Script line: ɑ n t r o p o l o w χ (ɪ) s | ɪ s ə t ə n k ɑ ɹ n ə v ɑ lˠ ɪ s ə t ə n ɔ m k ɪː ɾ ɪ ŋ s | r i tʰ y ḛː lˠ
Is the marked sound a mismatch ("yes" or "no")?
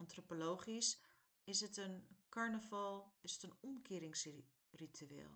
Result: yes